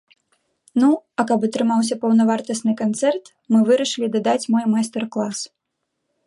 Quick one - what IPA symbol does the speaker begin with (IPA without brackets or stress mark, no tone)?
n